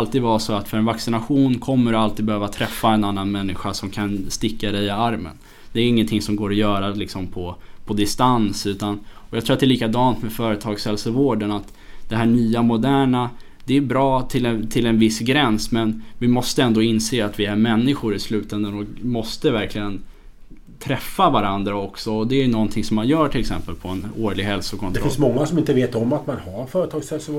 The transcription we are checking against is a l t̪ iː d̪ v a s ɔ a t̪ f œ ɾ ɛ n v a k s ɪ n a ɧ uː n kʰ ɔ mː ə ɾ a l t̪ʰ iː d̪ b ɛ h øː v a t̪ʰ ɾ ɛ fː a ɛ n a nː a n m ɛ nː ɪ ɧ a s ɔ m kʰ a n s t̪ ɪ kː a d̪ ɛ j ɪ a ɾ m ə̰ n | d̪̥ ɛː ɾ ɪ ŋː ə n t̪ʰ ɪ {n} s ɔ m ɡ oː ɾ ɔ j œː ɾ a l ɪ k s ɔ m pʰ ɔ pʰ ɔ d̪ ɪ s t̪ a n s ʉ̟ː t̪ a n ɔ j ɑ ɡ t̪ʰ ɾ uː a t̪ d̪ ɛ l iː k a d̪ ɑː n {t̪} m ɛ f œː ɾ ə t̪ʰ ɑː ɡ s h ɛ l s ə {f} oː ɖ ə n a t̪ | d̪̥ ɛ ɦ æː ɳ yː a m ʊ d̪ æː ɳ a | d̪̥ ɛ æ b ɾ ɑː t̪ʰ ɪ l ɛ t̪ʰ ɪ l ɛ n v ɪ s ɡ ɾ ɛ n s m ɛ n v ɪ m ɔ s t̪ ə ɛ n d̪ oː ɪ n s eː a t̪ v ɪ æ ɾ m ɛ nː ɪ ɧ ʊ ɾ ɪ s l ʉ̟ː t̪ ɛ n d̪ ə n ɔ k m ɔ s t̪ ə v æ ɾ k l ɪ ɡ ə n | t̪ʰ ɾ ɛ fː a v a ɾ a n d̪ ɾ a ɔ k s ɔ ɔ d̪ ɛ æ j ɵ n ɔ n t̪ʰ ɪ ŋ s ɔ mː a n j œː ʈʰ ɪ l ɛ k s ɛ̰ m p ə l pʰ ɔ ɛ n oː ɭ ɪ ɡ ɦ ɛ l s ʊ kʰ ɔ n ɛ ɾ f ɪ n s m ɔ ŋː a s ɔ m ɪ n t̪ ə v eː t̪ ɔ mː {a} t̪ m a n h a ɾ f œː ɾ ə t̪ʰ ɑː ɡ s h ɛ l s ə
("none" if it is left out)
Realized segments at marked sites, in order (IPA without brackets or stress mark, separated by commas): ŋ, t̪, v, a